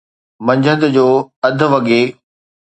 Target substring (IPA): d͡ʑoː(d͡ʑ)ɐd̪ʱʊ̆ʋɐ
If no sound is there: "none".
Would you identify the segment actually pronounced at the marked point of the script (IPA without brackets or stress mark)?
none